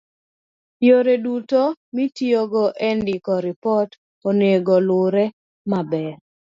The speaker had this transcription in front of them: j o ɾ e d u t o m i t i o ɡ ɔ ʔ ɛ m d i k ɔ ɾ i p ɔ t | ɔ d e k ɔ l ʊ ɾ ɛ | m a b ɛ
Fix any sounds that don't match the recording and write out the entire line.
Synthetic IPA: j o ɾ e d u t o m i t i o ɡ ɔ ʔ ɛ n d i k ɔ ɾ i p ɔ t | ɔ n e ɡ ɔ l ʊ ɾ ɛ | m a b ɛ